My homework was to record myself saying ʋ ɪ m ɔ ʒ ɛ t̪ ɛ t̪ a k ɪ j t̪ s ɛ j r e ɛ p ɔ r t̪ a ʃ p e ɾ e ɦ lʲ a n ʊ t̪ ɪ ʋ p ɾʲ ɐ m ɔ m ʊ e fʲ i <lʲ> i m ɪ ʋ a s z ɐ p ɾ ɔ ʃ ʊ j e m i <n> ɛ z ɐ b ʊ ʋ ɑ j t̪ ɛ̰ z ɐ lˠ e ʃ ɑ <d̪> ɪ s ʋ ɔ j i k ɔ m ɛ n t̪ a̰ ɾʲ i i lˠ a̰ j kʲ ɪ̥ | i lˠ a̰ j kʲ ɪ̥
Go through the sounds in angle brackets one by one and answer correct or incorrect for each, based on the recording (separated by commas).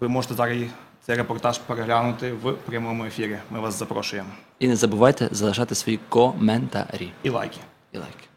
incorrect, correct, incorrect